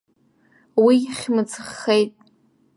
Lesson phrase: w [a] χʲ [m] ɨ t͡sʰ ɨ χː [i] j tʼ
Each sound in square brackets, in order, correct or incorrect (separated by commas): incorrect, correct, incorrect